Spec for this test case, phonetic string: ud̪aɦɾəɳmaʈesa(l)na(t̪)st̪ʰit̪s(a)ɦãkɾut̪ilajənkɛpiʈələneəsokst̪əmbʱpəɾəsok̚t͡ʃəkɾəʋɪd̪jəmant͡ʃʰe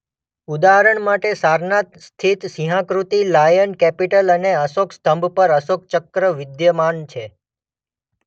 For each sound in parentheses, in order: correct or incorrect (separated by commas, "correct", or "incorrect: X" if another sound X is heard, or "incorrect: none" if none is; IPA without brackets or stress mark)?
incorrect: ɾ, correct, incorrect: i